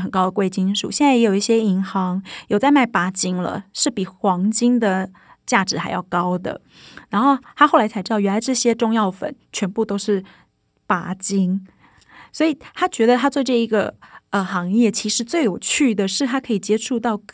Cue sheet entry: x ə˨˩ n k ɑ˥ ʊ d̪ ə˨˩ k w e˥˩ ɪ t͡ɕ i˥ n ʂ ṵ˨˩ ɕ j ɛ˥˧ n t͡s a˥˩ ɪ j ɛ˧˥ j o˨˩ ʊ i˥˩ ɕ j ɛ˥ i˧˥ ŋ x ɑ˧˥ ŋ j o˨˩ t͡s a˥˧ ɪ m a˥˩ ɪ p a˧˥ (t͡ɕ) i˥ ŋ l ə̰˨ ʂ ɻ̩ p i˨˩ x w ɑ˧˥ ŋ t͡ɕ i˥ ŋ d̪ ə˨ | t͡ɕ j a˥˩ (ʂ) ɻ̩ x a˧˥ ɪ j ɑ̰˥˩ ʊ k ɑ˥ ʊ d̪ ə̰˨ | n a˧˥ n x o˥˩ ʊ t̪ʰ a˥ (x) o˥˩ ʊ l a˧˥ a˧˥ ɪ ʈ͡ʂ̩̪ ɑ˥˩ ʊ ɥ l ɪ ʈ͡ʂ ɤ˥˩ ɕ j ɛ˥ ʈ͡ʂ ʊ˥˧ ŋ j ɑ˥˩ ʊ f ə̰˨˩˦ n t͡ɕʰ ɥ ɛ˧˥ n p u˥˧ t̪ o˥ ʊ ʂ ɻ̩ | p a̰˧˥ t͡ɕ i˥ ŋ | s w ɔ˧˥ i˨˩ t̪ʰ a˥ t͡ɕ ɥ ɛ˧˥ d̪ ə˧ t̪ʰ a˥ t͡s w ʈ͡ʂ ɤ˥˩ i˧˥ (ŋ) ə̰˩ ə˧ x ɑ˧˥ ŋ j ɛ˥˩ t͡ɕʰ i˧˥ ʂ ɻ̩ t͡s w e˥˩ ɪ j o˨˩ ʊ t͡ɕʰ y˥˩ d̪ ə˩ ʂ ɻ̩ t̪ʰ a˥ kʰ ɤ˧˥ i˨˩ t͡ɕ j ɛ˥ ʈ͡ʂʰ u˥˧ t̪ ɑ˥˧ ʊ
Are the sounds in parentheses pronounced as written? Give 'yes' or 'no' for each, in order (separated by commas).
yes, no, yes, no